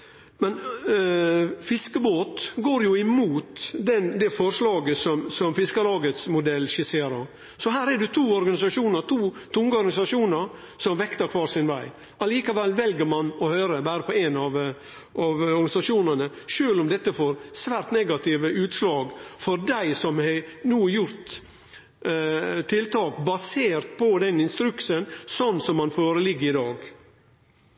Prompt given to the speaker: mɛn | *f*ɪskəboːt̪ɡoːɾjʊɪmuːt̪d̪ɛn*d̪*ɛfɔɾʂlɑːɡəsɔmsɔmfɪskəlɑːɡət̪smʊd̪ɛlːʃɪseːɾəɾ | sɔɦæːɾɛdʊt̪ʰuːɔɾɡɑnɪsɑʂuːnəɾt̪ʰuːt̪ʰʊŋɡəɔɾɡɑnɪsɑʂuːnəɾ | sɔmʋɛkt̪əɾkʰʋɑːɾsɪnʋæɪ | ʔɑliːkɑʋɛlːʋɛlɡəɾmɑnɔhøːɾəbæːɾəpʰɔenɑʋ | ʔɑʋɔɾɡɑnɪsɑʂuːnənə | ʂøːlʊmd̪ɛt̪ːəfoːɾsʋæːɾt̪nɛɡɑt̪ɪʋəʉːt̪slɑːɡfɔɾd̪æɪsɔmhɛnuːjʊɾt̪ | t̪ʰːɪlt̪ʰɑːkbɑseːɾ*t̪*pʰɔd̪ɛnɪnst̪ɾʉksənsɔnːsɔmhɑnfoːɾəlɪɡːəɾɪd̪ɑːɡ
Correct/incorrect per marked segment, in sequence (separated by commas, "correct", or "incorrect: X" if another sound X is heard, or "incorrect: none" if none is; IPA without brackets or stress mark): correct, correct, correct